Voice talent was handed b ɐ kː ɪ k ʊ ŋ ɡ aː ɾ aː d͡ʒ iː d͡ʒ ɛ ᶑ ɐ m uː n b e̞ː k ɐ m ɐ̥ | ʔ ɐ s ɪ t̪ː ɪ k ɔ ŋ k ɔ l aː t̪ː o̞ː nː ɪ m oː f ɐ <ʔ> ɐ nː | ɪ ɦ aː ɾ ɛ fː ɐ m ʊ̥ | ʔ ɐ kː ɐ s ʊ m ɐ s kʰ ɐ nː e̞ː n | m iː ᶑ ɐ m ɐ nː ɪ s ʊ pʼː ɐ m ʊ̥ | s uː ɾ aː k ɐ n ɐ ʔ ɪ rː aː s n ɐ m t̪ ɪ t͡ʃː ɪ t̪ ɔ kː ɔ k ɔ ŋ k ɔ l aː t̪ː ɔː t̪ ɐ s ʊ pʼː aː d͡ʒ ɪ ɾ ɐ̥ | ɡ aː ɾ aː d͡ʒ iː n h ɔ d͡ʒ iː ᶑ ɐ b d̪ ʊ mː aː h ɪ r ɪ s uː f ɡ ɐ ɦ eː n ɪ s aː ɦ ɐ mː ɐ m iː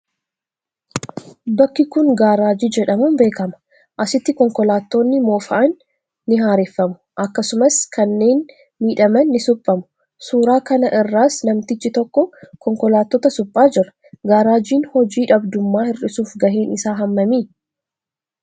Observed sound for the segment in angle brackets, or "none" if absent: ʔ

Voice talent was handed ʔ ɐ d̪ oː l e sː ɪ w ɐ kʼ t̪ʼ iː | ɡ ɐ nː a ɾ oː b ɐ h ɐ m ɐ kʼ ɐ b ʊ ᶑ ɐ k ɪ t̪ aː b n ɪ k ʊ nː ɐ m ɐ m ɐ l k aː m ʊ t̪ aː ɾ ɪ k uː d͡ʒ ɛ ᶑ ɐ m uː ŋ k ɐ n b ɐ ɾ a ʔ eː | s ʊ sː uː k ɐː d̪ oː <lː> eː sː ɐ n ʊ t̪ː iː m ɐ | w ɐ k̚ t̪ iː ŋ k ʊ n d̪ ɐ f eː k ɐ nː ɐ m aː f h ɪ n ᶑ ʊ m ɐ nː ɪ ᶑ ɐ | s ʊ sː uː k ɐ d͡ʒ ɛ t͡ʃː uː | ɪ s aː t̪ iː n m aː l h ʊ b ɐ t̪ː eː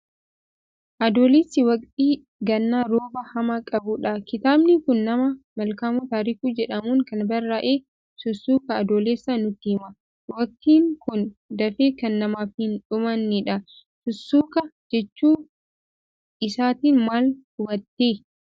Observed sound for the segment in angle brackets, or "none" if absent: l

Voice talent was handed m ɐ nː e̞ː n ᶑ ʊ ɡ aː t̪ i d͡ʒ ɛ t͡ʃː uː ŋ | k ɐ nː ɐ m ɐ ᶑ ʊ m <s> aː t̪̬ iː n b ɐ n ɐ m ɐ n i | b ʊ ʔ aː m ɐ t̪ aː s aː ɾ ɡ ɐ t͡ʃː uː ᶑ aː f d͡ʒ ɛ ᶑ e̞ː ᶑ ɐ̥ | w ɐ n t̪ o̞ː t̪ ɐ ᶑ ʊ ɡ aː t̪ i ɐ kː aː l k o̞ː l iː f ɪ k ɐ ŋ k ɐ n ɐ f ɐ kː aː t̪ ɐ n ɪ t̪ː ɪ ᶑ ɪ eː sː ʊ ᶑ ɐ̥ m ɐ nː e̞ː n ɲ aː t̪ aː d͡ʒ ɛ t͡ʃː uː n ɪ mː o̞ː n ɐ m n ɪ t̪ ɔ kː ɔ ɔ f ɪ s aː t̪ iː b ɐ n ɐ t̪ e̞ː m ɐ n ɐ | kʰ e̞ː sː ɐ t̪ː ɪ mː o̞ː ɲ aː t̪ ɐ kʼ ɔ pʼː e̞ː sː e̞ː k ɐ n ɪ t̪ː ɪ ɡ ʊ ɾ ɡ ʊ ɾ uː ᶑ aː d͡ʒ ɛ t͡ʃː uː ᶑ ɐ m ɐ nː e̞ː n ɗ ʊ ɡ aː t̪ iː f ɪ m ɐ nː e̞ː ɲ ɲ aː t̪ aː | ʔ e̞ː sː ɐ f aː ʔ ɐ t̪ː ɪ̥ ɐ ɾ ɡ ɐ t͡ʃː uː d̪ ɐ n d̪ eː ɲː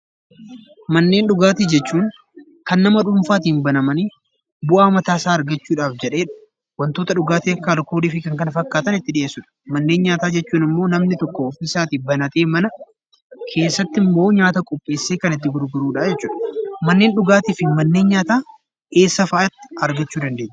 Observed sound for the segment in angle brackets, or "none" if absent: f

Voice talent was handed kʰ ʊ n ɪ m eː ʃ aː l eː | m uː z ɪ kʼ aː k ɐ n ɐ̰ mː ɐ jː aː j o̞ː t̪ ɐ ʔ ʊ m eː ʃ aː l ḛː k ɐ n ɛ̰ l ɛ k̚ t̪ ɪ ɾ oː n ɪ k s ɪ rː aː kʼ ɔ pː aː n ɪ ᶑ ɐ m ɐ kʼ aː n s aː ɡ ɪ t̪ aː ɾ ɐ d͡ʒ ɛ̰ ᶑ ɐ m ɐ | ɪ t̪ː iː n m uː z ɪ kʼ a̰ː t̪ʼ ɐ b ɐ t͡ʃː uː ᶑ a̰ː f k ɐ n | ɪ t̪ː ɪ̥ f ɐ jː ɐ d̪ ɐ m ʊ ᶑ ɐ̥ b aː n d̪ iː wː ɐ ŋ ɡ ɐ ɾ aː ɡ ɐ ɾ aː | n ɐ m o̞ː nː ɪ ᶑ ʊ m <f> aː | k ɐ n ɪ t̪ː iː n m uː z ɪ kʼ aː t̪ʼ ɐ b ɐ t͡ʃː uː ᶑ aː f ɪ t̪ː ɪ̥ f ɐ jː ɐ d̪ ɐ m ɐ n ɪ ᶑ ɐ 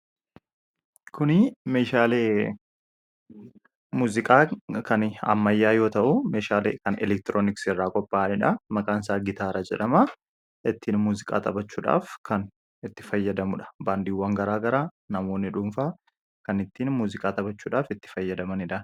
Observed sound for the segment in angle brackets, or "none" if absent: f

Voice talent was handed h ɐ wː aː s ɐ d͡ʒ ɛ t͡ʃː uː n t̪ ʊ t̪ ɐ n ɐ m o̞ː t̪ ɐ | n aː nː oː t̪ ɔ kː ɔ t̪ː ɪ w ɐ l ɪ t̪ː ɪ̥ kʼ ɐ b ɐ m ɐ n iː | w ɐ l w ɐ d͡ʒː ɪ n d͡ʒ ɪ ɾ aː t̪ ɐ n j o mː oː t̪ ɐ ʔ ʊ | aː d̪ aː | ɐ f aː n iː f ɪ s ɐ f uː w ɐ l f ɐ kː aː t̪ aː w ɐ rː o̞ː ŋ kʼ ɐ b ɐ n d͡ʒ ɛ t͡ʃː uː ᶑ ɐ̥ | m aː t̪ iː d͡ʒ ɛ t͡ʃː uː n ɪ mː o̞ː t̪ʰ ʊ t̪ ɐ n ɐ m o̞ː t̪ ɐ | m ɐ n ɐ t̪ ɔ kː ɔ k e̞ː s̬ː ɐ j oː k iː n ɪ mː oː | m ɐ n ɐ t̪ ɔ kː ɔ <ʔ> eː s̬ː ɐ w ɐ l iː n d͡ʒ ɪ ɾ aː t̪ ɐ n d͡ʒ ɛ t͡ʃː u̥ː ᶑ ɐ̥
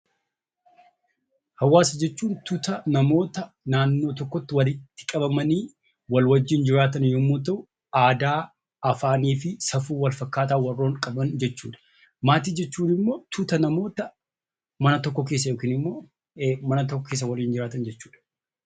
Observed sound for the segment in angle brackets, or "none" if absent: k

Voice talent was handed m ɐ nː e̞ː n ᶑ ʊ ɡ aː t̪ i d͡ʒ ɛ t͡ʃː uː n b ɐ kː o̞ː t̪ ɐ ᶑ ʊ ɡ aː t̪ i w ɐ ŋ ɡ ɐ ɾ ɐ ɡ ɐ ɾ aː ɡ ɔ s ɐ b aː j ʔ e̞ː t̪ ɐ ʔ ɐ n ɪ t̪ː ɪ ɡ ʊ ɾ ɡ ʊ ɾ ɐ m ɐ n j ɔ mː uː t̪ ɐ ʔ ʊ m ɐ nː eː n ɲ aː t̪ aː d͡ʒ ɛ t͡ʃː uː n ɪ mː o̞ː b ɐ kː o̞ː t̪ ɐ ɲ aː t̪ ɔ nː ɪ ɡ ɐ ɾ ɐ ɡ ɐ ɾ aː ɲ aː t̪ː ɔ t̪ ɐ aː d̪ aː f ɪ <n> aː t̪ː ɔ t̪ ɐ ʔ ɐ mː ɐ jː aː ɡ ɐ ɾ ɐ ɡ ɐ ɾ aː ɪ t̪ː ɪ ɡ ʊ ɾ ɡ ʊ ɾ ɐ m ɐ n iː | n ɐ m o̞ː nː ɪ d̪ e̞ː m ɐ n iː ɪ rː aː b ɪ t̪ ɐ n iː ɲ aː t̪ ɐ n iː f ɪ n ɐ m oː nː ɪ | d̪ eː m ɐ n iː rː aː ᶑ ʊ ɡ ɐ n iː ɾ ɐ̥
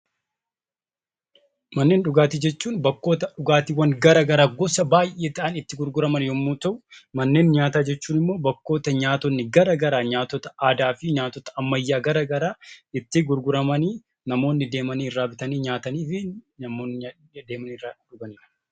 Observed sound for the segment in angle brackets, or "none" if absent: ɲ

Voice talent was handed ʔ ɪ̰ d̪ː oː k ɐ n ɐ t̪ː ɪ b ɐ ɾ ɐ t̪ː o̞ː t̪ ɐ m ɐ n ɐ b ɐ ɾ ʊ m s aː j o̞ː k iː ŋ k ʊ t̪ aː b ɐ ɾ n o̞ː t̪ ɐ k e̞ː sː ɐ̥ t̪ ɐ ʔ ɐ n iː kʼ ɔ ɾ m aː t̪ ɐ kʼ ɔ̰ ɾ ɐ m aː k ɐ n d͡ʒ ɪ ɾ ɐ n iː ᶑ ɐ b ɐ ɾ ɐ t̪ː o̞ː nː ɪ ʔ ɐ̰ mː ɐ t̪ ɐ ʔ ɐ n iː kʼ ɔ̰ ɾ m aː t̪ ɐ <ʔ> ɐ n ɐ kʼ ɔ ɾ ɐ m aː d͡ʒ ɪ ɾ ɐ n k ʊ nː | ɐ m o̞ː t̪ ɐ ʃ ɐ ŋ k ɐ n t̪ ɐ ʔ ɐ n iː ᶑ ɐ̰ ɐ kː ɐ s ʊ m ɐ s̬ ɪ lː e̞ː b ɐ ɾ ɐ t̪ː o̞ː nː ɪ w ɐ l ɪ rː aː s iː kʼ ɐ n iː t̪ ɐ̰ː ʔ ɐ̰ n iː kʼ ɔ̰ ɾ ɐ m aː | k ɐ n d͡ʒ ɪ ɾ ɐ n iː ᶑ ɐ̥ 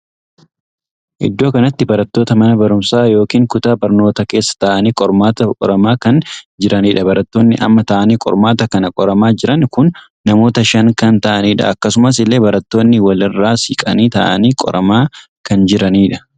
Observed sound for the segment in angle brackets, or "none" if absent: k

